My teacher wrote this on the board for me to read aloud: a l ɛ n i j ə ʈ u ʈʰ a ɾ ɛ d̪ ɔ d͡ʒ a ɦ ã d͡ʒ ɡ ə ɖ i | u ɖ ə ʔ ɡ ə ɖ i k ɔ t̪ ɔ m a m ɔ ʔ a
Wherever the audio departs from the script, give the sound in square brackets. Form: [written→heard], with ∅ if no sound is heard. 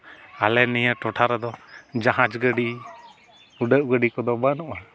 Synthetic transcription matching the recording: a l ɛ n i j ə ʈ [u→ɔ] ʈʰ a ɾ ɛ d̪ ɔ d͡ʒ a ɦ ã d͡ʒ ɡ ə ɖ i | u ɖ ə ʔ ɡ ə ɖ i k ɔ [t̪→d̪] ɔ [m→b] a [m→n] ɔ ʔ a